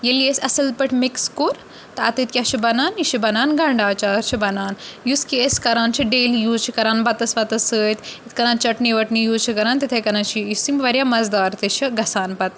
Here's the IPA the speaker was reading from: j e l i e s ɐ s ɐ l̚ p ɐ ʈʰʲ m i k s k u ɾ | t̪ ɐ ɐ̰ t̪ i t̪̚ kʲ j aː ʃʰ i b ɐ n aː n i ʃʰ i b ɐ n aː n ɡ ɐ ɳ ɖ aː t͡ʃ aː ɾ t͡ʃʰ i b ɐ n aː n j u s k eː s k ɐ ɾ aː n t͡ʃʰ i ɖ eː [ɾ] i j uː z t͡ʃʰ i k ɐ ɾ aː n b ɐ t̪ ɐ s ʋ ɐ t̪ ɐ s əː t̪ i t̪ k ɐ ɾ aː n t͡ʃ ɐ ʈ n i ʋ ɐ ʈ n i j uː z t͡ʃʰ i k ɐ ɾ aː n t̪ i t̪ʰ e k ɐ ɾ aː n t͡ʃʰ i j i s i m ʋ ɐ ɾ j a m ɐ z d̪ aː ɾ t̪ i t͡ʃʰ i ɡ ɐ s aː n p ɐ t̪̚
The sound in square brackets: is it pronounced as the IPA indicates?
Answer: no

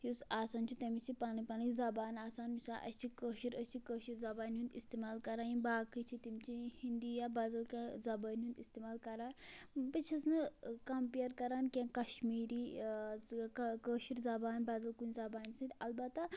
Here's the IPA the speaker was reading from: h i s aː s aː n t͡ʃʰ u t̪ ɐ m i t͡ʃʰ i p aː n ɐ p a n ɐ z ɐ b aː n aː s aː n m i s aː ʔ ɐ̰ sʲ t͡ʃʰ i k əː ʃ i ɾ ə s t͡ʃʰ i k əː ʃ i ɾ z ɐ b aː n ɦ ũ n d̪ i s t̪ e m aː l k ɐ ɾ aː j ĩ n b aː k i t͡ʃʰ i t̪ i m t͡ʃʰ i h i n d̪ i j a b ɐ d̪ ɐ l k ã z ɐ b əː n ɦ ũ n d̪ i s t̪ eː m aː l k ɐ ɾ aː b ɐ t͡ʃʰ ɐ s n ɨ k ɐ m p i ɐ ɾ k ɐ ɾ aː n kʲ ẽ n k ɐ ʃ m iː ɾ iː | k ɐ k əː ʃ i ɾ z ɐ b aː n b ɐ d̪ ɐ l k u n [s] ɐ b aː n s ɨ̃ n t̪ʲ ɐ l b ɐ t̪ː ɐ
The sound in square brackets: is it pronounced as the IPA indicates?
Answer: no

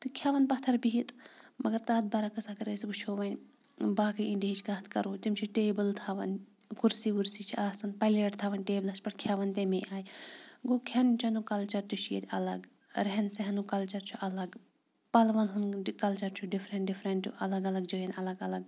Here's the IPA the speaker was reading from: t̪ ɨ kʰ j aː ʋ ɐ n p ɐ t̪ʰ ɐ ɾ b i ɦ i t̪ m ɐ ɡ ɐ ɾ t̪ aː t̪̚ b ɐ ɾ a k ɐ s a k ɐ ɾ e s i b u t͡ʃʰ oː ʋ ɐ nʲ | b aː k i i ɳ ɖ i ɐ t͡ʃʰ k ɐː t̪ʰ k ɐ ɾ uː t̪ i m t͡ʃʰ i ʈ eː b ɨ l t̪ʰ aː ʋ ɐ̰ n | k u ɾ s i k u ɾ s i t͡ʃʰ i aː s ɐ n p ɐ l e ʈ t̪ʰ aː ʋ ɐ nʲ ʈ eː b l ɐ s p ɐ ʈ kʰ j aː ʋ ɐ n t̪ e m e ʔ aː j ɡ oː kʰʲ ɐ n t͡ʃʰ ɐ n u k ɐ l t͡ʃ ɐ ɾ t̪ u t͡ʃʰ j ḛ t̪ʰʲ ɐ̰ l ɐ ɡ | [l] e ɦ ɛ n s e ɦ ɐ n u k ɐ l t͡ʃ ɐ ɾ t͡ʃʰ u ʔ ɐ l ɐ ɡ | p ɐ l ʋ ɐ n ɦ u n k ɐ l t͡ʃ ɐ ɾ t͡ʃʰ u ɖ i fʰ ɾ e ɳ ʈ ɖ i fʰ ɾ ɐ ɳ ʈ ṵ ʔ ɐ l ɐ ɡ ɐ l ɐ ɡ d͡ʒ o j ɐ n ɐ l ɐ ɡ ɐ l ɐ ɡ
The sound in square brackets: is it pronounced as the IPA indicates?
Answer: no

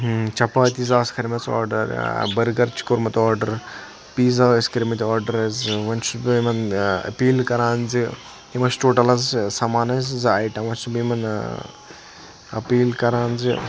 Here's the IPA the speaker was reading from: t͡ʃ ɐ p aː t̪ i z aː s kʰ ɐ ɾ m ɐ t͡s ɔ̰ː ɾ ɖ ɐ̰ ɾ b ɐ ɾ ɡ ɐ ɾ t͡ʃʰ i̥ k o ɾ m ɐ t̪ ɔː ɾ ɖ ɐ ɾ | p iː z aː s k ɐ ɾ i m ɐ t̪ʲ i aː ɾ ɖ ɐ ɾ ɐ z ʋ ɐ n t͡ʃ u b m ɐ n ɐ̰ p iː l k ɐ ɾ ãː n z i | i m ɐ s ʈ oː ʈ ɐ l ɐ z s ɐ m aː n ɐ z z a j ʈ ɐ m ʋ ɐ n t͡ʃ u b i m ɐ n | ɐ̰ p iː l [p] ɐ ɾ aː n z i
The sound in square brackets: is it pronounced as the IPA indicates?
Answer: no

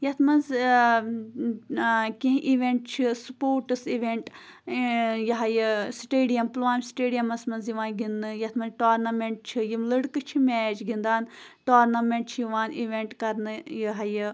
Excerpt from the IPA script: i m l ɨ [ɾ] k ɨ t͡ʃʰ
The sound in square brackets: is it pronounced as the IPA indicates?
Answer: no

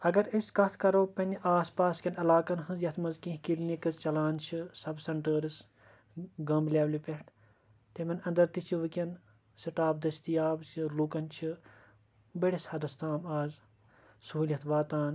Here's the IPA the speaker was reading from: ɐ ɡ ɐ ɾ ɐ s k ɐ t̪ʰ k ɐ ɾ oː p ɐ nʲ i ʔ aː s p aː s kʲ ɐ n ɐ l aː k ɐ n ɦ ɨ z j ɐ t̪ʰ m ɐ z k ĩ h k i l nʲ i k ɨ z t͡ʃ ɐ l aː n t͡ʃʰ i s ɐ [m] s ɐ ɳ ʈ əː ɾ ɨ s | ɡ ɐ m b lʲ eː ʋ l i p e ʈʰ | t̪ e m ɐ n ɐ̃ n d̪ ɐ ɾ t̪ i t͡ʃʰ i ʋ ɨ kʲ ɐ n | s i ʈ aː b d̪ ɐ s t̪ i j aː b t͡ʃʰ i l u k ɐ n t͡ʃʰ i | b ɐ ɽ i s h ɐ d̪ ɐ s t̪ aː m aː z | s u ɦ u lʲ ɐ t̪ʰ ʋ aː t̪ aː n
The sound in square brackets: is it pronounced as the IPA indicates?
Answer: no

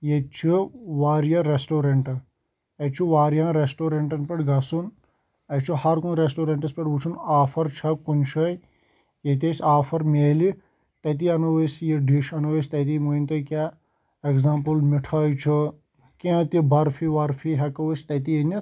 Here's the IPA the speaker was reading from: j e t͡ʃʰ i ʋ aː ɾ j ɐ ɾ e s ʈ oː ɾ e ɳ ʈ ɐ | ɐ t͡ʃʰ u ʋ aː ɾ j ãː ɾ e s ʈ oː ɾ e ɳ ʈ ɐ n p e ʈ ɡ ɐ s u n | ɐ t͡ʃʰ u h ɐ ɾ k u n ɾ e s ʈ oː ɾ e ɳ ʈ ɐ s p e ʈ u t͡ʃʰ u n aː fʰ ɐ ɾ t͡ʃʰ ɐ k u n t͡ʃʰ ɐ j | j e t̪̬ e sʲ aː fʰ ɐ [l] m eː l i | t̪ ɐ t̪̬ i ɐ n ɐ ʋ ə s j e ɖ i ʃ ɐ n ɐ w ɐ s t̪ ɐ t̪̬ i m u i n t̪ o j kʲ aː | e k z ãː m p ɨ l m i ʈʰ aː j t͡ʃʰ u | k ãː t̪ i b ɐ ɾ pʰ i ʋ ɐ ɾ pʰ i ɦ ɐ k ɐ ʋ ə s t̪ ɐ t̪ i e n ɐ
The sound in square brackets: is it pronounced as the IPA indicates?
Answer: no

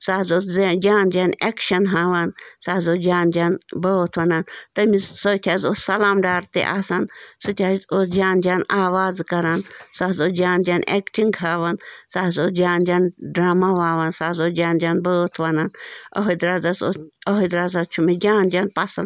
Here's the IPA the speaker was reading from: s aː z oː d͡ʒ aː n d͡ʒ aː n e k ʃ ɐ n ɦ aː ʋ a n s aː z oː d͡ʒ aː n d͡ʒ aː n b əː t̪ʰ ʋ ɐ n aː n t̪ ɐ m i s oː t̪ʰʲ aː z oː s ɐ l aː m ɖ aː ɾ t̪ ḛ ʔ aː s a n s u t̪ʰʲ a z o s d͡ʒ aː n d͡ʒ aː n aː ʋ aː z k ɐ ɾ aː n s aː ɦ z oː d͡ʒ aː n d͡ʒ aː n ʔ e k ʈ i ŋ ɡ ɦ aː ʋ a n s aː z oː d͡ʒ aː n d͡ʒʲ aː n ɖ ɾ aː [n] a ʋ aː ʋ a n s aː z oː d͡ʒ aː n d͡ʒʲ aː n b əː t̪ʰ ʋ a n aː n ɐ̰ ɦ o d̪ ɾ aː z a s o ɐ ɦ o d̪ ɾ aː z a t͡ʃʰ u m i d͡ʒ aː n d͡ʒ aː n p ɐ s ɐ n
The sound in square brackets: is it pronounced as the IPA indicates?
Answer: no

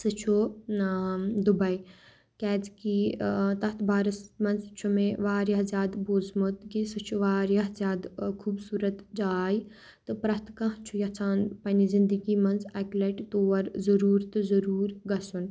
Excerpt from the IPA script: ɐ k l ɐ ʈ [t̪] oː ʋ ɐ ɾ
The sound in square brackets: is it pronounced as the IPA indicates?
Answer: yes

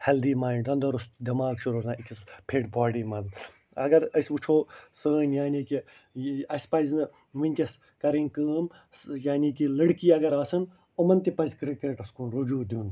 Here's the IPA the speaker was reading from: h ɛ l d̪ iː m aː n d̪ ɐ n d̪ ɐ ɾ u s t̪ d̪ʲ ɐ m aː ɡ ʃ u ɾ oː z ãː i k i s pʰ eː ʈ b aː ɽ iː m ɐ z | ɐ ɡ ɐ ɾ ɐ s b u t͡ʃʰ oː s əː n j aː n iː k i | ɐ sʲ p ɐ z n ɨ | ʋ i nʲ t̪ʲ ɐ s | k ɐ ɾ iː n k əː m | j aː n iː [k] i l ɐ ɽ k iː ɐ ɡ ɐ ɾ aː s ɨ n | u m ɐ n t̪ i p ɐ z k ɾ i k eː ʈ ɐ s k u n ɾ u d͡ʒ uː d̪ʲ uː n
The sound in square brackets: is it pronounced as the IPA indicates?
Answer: yes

